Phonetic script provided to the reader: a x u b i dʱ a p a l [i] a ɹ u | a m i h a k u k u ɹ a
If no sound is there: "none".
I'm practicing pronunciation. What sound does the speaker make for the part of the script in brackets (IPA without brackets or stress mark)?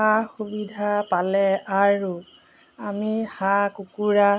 ɛ